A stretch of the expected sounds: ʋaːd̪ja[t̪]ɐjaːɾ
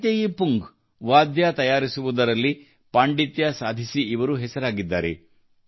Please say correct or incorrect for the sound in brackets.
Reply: correct